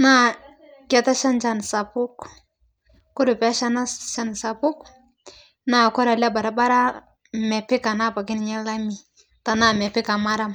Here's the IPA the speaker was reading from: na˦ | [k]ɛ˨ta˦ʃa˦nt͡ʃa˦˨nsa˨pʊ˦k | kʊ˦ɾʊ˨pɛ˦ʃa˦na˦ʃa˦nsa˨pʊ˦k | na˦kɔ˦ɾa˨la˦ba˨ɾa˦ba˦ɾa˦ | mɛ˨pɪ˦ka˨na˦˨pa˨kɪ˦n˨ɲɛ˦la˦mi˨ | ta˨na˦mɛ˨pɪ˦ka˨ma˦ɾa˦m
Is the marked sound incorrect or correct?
correct